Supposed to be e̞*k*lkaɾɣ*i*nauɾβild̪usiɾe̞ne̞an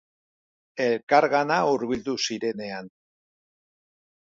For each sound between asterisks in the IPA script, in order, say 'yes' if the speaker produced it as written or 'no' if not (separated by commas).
no, no